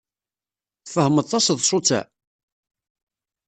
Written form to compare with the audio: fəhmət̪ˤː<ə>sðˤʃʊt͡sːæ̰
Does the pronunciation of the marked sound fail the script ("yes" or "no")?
yes